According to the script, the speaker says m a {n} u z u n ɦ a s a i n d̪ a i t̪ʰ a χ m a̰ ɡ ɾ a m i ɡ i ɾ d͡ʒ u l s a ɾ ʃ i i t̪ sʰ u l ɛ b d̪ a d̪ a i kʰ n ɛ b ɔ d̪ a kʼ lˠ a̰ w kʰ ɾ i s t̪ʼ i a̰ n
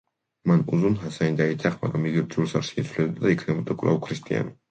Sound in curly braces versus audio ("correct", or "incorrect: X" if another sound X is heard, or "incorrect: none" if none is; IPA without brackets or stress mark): correct